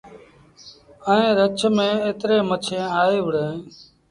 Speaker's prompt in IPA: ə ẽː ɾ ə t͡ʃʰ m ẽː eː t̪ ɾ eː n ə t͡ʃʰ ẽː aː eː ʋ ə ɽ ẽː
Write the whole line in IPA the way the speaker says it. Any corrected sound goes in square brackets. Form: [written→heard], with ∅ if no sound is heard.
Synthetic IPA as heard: ə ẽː ɾ ə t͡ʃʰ m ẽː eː t̪ ɾ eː [n→m] ə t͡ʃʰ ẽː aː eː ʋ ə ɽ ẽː